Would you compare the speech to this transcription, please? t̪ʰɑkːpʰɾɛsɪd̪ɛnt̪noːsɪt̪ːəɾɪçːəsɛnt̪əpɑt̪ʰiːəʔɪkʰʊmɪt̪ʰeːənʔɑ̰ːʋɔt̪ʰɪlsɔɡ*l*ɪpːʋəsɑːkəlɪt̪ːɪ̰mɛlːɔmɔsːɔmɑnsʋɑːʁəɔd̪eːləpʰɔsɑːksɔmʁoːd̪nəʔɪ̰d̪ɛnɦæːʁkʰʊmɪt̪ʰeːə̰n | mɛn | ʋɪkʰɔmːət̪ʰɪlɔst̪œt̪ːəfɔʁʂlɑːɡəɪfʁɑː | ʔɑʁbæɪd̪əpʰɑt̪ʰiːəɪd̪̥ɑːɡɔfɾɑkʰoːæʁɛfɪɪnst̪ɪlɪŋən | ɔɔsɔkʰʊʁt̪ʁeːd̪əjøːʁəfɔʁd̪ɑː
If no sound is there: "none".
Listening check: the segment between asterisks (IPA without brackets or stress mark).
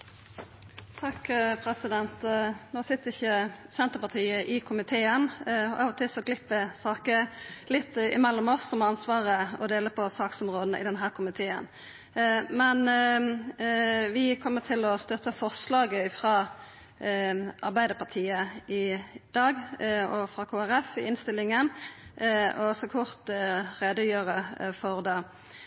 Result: l